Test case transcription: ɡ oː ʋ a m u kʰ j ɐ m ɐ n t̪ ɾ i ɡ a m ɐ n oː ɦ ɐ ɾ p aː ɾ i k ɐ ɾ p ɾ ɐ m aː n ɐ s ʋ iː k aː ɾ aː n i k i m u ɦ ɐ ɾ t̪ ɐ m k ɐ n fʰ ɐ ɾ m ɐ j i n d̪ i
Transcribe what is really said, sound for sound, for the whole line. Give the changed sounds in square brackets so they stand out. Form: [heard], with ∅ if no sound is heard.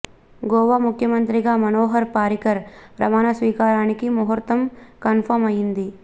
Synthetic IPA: ɡ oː ʋ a m u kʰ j ɐ m ɐ n t̪ ɾ i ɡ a m ɐ n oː ɦ ɐ ɾ p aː ɾ i k ɐ ɾ p ɾ ɐ m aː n ɐ s ʋ iː k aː ɾ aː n i k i m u ɦ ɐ ɾ t̪ ɐ m k ɐ n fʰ ɐ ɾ m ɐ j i n d̪ i